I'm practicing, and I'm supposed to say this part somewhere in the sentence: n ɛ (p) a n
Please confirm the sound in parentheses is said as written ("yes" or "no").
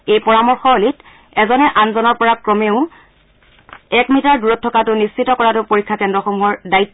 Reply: no